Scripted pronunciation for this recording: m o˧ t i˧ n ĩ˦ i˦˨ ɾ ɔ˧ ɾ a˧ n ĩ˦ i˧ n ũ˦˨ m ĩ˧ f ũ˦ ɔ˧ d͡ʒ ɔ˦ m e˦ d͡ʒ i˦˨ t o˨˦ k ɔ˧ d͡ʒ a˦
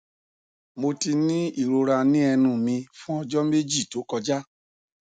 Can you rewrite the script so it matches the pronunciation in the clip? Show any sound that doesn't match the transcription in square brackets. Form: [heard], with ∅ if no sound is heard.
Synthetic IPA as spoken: m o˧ t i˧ n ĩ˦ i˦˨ ɾ [o˧] ɾ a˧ n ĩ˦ [ɛ˧] n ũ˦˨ m ĩ˧ f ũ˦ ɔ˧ d͡ʒ ɔ˦ m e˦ d͡ʒ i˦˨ t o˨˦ k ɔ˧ d͡ʒ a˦